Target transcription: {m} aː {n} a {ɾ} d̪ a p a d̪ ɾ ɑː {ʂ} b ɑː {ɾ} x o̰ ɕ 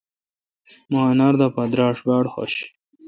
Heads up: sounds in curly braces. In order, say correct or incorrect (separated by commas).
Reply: correct, correct, correct, correct, incorrect